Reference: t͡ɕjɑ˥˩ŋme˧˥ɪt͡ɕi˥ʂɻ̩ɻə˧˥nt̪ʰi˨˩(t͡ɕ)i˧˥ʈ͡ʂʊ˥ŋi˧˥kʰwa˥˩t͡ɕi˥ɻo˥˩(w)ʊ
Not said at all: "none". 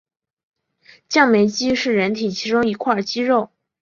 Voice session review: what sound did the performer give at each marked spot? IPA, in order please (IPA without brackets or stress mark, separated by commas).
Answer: t͡ɕʰ, none